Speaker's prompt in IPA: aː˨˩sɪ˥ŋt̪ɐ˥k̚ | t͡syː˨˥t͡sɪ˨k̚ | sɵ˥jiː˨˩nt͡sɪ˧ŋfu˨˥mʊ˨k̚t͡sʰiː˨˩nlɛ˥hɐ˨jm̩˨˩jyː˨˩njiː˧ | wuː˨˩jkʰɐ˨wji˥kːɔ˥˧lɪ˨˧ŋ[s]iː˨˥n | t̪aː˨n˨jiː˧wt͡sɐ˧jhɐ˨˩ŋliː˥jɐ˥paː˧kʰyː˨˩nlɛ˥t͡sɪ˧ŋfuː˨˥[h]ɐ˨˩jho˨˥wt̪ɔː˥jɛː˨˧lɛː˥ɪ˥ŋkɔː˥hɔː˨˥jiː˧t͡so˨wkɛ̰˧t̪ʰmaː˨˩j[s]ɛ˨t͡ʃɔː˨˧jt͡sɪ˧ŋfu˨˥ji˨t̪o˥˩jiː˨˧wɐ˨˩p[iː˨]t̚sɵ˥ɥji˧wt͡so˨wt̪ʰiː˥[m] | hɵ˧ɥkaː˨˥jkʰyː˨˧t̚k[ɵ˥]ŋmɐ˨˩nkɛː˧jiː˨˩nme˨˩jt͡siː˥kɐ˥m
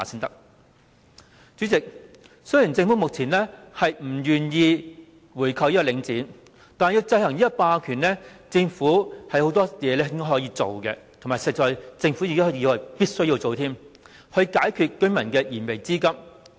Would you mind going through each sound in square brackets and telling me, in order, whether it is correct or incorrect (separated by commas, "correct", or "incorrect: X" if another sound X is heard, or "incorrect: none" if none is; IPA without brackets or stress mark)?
incorrect: t͡s, correct, correct, incorrect: iː˥, correct, correct